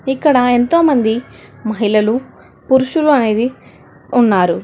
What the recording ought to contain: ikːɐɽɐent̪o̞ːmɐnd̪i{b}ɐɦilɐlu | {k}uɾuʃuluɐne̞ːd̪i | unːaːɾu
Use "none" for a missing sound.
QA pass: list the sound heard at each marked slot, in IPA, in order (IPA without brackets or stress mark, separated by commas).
m, p